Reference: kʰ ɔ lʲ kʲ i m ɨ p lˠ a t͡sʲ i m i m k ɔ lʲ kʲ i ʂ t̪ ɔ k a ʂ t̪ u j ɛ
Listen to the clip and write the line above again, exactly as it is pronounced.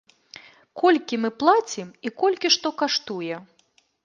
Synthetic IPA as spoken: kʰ ɔ lʲ kʲ i m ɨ p lˠ a t͡sʲ i m i k ɔ lʲ kʲ i ʂ t̪ ɔ k a ʂ t̪ u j ɛ